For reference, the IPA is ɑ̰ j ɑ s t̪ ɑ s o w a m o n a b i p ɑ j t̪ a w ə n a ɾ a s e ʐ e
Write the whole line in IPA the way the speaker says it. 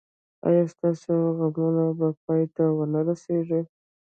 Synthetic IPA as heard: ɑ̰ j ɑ s t̪ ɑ s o ɣ a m u n a b a p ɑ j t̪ a w ə n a ɾ a s e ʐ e

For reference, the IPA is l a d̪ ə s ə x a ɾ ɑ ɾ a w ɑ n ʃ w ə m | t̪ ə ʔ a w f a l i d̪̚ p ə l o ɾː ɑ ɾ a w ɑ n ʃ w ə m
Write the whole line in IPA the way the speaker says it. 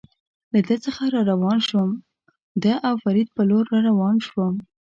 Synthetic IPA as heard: l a d̪ ə t͡s ə x a ɾ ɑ ɾ a w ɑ n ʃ w ə m | d̪ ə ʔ a w f a ɾ i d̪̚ p ə l o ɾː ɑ ɾ a w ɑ n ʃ w ə m

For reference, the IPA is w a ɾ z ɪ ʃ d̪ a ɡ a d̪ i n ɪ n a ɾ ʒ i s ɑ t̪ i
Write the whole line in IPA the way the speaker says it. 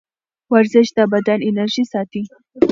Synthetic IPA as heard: w a ɾ z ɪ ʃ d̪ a b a d̪ a n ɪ n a ɾ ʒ i s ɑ t̪ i

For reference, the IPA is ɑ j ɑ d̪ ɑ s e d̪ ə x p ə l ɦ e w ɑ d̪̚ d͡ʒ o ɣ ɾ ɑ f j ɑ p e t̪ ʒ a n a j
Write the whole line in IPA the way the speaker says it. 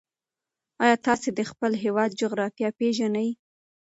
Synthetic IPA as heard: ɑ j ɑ t̪ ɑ s e d̪ ə x p ə l ɦ e w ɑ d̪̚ d͡ʒ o ɣ ɾ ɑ f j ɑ p e ʒ a n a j

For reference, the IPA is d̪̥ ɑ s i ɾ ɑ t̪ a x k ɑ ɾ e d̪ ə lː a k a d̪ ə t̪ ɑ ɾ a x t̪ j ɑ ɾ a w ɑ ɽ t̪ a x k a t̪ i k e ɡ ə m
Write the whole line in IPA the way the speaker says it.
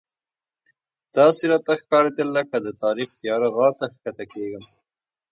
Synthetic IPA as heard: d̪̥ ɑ s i ɾ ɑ t̪ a x k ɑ ɾ e d̪ ə lː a k a d̪ ə t̪ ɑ ɾ i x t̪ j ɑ ɾ a ɣ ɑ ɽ t̪ a x k a t̪ a k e ɡ ə m

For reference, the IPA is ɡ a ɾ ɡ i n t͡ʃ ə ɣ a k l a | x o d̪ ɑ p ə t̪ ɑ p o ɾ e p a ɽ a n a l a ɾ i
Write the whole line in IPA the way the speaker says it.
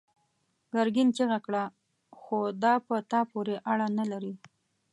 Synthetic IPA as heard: ɡ a ɾ ɡ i n t͡ʃ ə ɣ a k ɽ a | x o d̪ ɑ p ə t̪ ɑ p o ɾ e ʔ a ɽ a n a l a ɾ i

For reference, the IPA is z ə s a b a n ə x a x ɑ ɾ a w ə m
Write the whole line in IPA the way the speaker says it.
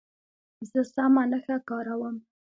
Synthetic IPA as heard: z ə s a m a n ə x a k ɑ ɾ a w ə m

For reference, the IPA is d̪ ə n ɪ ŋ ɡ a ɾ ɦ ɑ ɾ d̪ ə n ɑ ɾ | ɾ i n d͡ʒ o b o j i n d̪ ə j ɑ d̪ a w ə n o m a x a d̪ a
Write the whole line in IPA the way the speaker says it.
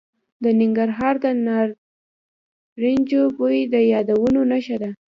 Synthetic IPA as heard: d̪ ə n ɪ ŋ ɡ a ɾ ɦ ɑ ɾ d̪ ə n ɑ ɾ | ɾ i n d͡ʒ o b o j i d̪ ə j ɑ d̪ a w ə n o n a ʃ a d̪ a

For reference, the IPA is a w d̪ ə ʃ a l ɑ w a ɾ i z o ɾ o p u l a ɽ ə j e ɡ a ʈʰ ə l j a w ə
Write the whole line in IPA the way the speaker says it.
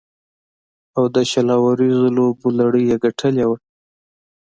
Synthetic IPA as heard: a w d̪ ə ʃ a l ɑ w a ɾ i z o l o b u l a ɽ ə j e ɡ a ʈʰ ə l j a w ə

